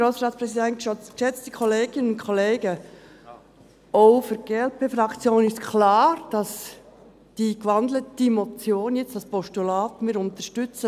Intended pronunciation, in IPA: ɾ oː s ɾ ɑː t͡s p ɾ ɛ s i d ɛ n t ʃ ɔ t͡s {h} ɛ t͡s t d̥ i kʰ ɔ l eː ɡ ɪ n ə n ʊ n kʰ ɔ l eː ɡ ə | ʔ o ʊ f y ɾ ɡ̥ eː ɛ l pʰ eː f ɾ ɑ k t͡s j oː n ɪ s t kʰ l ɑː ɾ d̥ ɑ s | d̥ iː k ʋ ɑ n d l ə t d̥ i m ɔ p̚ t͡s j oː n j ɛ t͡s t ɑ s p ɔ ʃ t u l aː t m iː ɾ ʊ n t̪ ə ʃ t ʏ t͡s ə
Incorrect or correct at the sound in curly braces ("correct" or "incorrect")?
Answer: incorrect